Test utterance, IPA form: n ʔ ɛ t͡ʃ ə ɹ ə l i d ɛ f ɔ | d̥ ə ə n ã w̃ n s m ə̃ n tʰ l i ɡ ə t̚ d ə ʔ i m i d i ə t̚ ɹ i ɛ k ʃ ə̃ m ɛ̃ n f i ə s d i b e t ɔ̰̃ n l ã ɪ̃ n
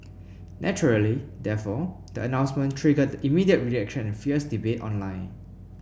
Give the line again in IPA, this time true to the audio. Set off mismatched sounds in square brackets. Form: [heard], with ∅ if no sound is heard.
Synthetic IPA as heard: n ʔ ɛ t͡ʃ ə ɹ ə l i d ɛ f ɔ | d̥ ə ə n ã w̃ n s m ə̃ n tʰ [ɹ] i ɡ ə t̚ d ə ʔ i m i d i ə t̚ ɹ i ɛ k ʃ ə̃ [n] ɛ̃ n f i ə s d i b e t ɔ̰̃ n l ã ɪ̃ n